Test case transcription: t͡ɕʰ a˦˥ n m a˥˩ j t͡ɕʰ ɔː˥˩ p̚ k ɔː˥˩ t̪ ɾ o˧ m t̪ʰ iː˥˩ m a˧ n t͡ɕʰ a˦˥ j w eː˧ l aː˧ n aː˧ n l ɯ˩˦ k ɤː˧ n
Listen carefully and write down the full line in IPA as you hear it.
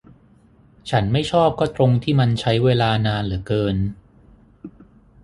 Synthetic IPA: t͡ɕʰ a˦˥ n m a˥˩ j t͡ɕʰ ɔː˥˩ p̚ k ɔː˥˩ t̪ ɾ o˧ ŋ t̪ʰ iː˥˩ m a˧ n t͡ɕʰ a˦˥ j w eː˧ l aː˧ n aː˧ n l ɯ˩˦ k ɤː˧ n